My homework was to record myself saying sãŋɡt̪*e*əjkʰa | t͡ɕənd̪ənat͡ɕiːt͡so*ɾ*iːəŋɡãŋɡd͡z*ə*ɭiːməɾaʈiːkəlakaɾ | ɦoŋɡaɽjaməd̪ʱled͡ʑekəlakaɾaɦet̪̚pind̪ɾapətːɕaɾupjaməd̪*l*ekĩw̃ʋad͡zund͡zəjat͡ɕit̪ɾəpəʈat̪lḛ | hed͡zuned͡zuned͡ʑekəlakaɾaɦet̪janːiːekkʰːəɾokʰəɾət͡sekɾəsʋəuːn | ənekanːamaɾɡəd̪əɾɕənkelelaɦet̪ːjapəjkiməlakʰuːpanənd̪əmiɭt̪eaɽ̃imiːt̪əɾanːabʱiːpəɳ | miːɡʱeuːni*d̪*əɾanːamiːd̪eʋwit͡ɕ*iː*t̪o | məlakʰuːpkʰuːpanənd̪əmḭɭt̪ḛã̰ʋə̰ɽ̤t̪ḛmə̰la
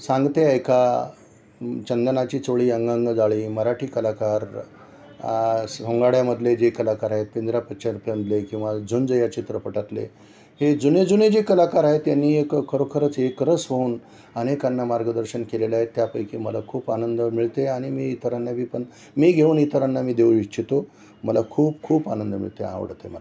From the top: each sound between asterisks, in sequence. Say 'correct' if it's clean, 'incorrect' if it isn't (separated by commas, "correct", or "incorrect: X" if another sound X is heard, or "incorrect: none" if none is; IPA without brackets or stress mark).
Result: correct, incorrect: ɭ, incorrect: a, correct, incorrect: t̪, incorrect: i